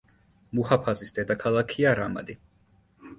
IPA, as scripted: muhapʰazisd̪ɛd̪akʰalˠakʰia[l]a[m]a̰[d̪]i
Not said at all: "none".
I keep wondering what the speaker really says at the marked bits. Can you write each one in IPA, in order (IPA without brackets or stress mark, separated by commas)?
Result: ɾ, m, d̪